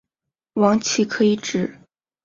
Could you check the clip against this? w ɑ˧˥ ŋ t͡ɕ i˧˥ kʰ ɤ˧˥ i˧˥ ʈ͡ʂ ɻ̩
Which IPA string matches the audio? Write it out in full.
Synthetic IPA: w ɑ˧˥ ŋ t͡ɕʰ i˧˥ kʰ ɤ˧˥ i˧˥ ʈ͡ʂ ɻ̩

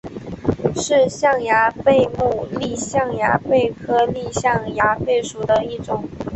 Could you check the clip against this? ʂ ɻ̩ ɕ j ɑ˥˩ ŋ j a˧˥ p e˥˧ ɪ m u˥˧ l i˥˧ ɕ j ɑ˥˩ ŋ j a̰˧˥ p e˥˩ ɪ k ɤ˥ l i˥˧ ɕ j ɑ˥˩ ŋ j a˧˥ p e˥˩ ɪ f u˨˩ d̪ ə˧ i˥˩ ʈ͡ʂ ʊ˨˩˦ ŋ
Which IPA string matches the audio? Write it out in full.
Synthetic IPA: ʂ ɻ̩ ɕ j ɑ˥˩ ŋ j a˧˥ p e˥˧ ɪ m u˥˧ l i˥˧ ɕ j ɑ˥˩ ŋ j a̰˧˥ p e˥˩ ɪ kʰ ɤ˥ l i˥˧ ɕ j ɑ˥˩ ŋ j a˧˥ p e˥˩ ɪ ʂ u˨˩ d̪ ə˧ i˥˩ ʈ͡ʂ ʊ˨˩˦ ŋ

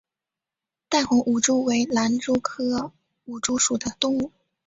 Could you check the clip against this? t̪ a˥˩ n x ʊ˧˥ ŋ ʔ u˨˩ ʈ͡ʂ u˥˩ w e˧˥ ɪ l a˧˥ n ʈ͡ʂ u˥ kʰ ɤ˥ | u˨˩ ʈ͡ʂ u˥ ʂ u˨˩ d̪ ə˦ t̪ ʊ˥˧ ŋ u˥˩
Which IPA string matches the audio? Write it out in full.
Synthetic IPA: t̪ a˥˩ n x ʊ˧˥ ŋ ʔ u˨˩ ʈ͡ʂ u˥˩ w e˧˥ ɪ l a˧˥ n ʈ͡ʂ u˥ kʰ ɤ˥ | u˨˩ ʈ͡ʂ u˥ ʂ u˨˩ d̪ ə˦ t̪ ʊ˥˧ ŋ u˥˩

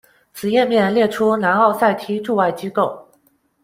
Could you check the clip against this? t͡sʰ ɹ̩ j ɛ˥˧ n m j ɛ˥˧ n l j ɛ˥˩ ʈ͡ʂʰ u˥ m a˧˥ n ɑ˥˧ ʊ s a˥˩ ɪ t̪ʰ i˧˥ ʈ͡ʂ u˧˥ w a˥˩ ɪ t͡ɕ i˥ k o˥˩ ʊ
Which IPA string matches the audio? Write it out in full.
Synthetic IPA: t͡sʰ ɹ̩ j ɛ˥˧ n m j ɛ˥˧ n l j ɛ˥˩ ʈ͡ʂʰ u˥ n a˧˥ n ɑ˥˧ ʊ s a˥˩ ɪ t̪ʰ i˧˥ ʈ͡ʂ u˥˧ w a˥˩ ɪ t͡ɕ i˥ k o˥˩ ʊ

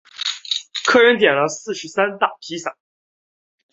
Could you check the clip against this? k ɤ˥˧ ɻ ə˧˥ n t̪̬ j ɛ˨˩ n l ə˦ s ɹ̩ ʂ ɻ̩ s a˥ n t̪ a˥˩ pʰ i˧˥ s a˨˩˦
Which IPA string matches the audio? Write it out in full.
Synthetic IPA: kʰ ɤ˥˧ ɻ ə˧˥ n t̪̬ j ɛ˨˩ n l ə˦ s ɹ̩ ʂ ɻ̩ s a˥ n t̪ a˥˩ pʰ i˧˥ s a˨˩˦

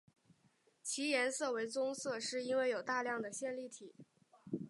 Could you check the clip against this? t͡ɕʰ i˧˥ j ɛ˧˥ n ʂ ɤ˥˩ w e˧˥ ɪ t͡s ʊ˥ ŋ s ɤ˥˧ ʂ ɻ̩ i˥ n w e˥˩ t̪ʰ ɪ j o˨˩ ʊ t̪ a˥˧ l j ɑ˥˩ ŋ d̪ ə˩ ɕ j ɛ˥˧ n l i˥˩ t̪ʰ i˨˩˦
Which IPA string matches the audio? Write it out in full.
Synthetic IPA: t͡ɕʰ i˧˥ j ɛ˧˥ n s ɤ˥˩ w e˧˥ ɪ t͡s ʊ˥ ŋ s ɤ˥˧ ʂ ɻ̩ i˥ n w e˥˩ ɪ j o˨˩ ʊ t̪ a˥˧ l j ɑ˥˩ ŋ d̪ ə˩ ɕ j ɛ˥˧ n l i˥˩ t̪ʰ i˨˩˦

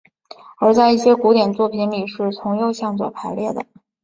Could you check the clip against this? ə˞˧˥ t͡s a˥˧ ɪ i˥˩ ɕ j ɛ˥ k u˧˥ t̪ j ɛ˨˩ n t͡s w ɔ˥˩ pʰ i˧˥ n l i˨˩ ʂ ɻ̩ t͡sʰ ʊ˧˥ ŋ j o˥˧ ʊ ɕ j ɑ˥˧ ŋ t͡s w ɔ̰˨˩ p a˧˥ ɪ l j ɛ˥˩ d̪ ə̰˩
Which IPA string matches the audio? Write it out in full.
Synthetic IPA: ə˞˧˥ t͡s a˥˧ ɪ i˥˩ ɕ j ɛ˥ k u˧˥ t̪ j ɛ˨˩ n t͡s w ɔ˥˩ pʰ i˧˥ n l i˨˩ ʂ ɻ̩ t͡sʰ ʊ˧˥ ŋ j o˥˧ ʊ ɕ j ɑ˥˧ ŋ t͡s w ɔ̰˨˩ pʰ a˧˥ ɪ l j ɛ˥˩ d̪ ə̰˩

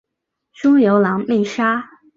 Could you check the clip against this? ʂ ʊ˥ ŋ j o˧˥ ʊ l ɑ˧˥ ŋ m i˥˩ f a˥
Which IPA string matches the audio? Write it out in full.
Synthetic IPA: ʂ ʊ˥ ŋ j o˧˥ ʊ l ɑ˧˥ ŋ m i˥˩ ʂ a˥

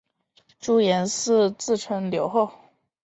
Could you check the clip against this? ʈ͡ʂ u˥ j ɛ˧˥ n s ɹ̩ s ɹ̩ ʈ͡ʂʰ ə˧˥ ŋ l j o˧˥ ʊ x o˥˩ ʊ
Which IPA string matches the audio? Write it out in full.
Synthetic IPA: ʈ͡ʂ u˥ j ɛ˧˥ n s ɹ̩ t͡s ɹ̩ ʈ͡ʂʰ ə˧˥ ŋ l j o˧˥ ʊ x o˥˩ ʊ

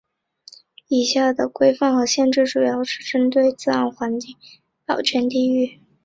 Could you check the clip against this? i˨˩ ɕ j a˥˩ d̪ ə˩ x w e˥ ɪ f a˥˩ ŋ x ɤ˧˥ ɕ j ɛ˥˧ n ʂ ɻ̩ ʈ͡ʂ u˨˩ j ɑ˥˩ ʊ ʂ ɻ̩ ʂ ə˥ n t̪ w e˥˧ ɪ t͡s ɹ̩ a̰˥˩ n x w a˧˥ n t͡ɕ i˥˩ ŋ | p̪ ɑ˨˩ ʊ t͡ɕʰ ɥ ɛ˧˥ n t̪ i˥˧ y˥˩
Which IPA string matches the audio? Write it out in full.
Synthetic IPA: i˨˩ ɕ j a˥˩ d̪ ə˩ k w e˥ ɪ f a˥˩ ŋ x ɤ˧˥ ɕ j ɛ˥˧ n ʈ͡ʂ ɻ̩ ʈ͡ʂ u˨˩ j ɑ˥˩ ʊ ʂ ɻ̩ ʈ͡ʂ ə˥ n t̪ w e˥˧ ɪ t͡s ɹ̩ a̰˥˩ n x w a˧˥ n t͡ɕ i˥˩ ŋ | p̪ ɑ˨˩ ʊ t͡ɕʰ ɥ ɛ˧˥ n t̪ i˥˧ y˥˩

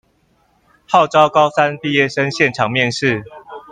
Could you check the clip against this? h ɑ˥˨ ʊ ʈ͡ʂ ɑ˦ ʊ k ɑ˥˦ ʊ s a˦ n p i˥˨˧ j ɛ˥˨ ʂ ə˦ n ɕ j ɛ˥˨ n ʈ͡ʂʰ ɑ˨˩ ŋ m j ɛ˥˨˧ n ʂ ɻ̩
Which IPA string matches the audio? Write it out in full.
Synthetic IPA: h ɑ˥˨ ʊ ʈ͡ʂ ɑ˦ ʊ k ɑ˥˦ ʊ s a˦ n p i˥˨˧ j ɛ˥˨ ʂ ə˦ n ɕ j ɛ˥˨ n ʈ͡ʂʰ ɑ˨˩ ŋ m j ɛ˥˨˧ n ʂ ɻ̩

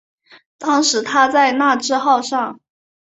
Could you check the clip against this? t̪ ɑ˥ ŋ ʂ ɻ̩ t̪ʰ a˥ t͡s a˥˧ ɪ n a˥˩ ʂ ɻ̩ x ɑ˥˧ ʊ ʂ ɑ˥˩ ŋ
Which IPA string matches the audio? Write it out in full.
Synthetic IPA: t̪ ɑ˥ ŋ ʂ ɻ̩ t̪ʰ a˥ t͡s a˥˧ ɪ n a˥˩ ʈ͡ʂ ɻ̩ x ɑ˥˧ ʊ ʂ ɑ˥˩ ŋ

